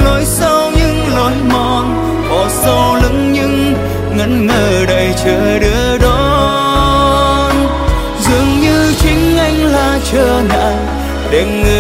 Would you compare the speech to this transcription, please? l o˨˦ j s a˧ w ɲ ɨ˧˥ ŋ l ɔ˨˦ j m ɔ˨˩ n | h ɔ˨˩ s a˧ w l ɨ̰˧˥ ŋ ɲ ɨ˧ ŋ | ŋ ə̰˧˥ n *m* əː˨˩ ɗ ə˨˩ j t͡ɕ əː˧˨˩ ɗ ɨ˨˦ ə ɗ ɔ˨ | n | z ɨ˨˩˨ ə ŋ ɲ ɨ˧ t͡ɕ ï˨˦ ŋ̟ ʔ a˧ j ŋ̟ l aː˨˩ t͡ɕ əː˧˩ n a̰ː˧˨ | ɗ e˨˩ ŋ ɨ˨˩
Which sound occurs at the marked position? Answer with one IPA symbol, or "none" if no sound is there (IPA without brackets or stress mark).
ŋ